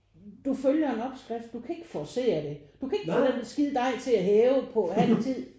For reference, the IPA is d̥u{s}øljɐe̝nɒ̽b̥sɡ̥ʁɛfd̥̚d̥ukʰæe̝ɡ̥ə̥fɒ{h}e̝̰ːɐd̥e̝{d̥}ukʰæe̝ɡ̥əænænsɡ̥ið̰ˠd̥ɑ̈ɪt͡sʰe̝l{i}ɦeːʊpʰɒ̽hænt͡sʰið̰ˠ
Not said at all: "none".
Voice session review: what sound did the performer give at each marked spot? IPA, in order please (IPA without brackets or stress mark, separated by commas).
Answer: f, s, d̥, æ